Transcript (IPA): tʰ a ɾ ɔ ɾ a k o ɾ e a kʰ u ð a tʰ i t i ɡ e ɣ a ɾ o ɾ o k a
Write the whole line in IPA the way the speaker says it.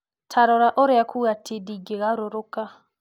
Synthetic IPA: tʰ a ɾ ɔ ɾ a ʔ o ɾ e a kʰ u ɣ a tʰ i d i ɡ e ɣ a ɾ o ɾ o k a